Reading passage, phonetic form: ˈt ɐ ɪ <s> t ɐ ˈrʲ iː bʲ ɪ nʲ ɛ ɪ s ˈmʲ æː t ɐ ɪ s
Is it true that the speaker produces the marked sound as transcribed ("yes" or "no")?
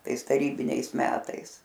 yes